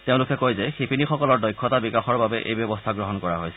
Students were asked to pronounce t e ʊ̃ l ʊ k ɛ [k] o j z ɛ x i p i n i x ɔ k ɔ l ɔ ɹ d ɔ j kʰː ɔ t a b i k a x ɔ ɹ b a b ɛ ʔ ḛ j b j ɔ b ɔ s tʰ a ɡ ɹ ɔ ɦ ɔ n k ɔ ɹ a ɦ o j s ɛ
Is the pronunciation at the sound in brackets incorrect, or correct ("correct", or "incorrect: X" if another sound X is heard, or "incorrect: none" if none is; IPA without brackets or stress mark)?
correct